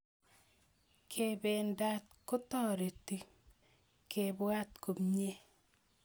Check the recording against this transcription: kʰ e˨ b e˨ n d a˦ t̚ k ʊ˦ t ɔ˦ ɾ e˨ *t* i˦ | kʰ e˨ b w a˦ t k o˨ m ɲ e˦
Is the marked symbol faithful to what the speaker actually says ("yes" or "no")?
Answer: yes